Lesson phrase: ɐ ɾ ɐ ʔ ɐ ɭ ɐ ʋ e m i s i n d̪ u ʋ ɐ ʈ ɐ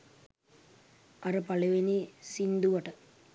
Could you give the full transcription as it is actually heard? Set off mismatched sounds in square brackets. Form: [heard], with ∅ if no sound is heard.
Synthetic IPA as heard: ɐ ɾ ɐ [p] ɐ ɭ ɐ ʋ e [n] i s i n d̪ u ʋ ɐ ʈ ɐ